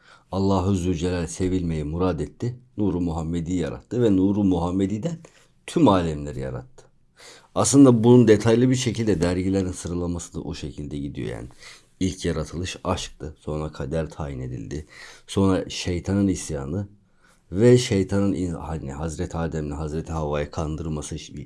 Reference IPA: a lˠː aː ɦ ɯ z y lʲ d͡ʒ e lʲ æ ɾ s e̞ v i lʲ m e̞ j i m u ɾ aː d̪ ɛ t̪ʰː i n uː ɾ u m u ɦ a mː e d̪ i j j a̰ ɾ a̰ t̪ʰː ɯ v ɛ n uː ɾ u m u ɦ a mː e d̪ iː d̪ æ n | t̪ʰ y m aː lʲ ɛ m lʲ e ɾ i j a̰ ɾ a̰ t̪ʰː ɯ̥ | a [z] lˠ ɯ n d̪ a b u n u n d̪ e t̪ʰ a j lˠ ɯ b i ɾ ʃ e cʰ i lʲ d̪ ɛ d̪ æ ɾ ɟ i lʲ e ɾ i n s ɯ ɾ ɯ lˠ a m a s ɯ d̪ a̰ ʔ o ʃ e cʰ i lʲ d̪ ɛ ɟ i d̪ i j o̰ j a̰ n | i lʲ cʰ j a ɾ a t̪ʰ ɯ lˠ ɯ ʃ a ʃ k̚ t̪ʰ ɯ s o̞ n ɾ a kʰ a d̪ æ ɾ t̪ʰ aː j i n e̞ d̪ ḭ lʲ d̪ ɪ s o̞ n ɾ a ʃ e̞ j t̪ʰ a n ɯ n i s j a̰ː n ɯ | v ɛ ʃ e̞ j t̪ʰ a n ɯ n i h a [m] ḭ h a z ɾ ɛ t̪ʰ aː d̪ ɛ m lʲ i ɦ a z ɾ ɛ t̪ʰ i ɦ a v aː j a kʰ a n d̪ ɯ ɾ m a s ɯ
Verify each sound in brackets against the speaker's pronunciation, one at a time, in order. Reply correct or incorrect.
incorrect, incorrect

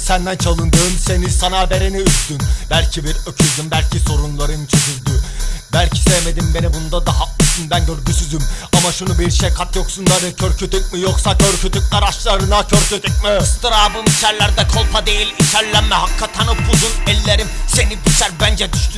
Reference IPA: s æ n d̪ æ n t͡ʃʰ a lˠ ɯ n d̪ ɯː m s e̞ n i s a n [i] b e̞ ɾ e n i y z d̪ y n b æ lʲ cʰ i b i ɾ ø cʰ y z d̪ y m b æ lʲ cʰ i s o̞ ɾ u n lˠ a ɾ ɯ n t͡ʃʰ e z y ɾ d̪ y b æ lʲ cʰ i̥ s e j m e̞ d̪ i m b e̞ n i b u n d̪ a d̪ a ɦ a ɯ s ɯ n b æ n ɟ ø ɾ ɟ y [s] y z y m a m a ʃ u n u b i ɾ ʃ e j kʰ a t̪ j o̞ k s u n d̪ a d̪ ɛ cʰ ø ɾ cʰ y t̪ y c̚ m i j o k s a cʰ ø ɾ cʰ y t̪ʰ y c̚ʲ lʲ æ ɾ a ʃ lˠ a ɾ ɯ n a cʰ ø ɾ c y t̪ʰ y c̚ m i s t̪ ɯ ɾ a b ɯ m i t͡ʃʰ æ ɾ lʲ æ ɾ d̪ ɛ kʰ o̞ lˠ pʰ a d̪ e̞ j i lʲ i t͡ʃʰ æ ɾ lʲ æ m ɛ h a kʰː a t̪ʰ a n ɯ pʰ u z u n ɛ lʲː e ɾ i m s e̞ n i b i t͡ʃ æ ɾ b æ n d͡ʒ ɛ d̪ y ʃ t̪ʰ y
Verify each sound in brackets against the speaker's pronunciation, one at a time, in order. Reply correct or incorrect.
incorrect, correct

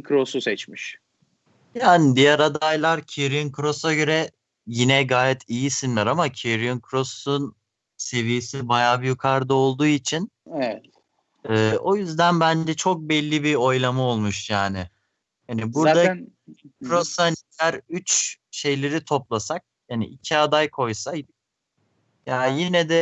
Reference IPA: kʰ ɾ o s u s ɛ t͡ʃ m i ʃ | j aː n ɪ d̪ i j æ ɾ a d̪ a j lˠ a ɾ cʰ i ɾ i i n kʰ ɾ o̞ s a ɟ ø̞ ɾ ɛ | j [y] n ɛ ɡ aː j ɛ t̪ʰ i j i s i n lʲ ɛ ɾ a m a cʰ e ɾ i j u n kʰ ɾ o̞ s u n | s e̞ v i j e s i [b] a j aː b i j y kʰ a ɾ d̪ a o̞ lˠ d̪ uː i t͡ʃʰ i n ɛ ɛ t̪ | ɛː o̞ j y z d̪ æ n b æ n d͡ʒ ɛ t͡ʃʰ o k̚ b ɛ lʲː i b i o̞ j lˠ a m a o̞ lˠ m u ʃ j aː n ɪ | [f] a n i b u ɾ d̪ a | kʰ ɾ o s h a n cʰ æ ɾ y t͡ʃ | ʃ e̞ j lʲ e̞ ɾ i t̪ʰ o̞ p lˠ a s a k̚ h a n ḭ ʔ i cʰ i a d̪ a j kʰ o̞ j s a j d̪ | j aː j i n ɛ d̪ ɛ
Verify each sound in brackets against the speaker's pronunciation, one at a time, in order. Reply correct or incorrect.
incorrect, correct, incorrect

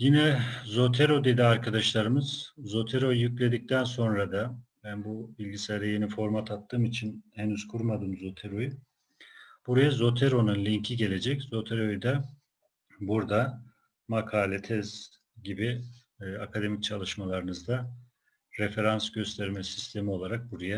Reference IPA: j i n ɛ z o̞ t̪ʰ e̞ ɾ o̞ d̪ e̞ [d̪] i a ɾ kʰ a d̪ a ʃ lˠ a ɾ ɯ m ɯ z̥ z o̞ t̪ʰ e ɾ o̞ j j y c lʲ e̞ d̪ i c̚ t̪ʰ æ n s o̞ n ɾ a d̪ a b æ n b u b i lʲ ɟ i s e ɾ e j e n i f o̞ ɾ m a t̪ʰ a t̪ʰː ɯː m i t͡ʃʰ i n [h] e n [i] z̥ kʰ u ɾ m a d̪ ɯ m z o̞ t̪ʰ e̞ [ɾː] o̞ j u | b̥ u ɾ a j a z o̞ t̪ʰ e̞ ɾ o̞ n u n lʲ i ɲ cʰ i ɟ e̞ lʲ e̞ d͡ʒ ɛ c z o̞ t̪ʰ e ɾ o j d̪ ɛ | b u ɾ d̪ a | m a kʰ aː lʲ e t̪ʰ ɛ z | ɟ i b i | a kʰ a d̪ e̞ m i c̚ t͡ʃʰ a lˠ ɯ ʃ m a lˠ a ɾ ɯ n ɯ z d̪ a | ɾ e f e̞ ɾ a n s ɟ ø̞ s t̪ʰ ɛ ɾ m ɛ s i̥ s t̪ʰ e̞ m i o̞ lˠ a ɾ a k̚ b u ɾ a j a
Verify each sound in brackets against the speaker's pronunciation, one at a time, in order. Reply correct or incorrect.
correct, correct, incorrect, incorrect

